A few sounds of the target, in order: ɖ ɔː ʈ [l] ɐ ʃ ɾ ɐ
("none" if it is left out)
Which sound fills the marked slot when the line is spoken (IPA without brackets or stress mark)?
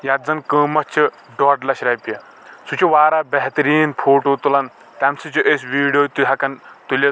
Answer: l